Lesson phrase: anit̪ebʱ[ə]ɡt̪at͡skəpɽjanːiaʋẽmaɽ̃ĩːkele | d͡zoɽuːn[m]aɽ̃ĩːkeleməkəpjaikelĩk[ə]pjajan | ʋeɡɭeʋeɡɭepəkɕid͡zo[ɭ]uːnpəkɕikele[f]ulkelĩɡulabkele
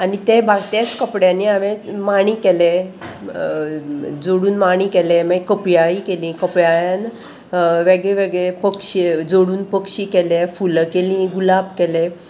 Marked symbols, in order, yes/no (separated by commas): no, yes, yes, no, yes